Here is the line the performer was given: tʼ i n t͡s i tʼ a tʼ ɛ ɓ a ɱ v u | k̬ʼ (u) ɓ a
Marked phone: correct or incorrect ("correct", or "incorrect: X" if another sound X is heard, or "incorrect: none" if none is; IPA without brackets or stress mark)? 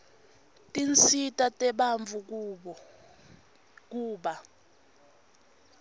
incorrect: uː